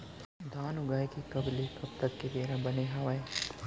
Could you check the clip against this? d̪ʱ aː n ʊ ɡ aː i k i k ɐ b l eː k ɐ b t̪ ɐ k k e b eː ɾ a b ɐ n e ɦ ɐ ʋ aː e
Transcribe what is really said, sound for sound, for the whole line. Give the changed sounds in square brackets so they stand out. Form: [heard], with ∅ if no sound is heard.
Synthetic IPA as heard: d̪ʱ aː n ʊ ɡ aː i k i k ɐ b l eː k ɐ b t̪ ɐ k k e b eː ɾ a b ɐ n e ɦ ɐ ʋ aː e